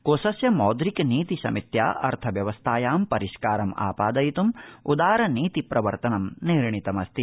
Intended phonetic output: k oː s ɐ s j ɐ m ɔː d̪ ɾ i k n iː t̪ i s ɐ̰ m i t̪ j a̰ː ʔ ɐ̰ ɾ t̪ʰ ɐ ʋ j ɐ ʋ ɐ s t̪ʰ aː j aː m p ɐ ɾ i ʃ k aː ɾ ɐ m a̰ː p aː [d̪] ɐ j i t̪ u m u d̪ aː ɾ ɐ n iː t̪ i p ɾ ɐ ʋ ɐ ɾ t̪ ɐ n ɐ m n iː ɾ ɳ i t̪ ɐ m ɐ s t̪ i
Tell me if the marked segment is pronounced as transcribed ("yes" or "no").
yes